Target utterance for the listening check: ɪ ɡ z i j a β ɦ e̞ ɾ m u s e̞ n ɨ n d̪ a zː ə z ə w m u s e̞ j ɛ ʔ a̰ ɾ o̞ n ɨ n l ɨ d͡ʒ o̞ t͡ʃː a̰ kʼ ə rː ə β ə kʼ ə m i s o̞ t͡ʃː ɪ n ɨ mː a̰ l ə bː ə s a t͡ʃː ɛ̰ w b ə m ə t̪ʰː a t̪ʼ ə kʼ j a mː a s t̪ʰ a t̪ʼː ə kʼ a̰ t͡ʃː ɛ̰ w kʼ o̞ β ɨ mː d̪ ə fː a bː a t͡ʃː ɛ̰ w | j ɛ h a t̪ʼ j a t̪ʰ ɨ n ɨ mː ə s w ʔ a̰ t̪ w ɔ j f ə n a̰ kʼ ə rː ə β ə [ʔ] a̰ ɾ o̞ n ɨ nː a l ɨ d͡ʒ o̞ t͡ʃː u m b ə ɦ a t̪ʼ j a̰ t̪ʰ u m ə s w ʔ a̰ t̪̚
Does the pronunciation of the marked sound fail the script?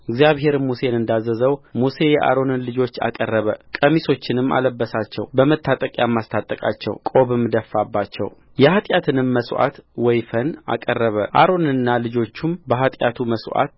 no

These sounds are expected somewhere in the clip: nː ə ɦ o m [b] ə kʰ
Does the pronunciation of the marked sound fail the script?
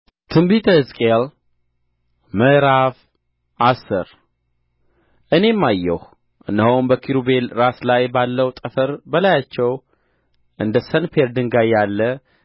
no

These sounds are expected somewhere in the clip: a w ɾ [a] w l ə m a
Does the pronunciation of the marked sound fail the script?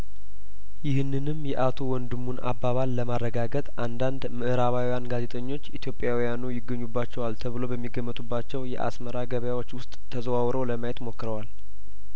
yes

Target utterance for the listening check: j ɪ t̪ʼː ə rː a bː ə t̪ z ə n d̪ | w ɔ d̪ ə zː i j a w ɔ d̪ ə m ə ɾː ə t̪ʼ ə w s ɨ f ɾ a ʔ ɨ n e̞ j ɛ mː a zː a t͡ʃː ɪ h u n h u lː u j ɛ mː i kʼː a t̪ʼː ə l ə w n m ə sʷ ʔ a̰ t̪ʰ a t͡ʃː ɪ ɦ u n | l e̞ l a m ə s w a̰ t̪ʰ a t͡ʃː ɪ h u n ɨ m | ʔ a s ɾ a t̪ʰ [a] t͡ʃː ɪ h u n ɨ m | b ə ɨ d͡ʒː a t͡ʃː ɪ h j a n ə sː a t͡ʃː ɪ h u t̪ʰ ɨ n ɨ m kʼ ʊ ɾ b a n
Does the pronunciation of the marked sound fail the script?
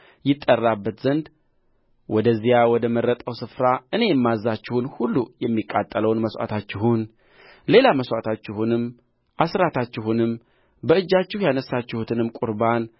no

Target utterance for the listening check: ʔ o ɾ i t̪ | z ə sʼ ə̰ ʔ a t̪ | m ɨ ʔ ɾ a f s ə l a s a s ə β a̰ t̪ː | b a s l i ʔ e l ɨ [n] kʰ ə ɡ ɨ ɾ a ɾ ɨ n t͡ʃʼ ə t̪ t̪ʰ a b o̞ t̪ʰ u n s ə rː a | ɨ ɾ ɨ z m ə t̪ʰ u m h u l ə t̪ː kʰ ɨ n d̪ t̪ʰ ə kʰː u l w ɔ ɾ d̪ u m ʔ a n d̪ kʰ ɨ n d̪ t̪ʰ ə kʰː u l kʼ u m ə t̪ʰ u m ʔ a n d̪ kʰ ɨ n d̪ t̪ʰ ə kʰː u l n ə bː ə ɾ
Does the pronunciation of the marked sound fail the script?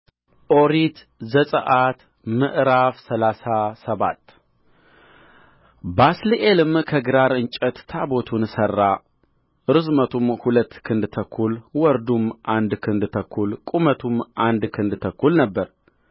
yes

